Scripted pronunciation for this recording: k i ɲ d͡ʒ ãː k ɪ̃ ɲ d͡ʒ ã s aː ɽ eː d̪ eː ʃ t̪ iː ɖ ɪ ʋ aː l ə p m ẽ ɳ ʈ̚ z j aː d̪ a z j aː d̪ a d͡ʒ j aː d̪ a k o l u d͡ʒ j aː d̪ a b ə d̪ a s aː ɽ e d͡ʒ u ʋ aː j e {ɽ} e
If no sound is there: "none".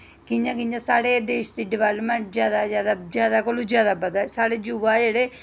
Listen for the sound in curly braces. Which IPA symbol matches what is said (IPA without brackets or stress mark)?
ɽ